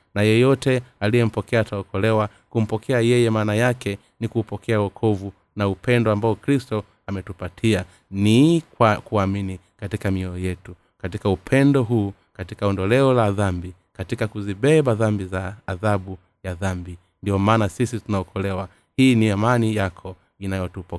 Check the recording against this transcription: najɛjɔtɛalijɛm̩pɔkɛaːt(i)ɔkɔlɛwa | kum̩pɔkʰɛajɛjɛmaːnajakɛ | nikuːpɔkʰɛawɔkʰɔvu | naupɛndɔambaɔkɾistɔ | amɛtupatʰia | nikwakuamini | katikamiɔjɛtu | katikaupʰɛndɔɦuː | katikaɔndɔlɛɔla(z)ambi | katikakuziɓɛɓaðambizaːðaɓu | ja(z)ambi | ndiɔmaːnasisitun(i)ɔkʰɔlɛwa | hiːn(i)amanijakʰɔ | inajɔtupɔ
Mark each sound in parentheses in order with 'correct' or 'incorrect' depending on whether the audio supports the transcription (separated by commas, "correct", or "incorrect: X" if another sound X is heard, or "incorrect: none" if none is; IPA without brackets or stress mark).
incorrect: a, incorrect: ð, incorrect: ð, incorrect: a, correct